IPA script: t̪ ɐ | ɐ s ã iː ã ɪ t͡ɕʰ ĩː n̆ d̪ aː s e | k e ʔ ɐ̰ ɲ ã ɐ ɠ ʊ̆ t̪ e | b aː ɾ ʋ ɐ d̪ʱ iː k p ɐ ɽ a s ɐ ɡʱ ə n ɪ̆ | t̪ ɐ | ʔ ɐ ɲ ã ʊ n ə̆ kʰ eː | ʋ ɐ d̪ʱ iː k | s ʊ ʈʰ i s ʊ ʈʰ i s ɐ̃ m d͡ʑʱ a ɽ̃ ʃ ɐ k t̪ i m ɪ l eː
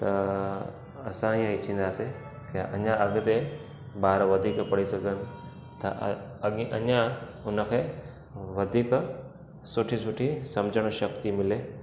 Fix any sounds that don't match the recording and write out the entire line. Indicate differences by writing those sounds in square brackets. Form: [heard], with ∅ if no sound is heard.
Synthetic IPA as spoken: t̪ ɐ | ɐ s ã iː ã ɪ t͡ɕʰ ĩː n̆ d̪ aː s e | k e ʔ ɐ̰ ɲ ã ɐ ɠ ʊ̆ t̪ e | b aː ɾ ʋ ɐ d̪ʱ iː k p ɐ ɽ [i] s ɐ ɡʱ ə n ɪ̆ | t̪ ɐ | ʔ ɐ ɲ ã ʊ n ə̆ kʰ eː | ʋ ɐ d̪ʱ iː k | s ʊ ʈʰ i s ʊ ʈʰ i s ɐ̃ m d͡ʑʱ [ə] ɽ̃ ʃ ɐ k t̪ i m ɪ l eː